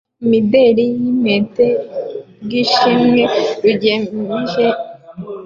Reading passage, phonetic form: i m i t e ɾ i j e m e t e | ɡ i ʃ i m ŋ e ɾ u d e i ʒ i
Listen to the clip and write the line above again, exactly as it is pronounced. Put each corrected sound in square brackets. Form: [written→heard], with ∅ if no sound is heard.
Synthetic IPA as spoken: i m i [t→d] e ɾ i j [e→i] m e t e | ɡ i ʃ i m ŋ e ɾ u [d→ɟ] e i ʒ [i→e]